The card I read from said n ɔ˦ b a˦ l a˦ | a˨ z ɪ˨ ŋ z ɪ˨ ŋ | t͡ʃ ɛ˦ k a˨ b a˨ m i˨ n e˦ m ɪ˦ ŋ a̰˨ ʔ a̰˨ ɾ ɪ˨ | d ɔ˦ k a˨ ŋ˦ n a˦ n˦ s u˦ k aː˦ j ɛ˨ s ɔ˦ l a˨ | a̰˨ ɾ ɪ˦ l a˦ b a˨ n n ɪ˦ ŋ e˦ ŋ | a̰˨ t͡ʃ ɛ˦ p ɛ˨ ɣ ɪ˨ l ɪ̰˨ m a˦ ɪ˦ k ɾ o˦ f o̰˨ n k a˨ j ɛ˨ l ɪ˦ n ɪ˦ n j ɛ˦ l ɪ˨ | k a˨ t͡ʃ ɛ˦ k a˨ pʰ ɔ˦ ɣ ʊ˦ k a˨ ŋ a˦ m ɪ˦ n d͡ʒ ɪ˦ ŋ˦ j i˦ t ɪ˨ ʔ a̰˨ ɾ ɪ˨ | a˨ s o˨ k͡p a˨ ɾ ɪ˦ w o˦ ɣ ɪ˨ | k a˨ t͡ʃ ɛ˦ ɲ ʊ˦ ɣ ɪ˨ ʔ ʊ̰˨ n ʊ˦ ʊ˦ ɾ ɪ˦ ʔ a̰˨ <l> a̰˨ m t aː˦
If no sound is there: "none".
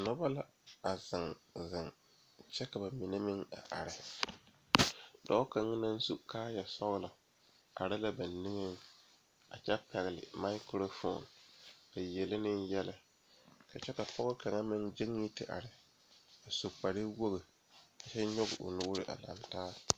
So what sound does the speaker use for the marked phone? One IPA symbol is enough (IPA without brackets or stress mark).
l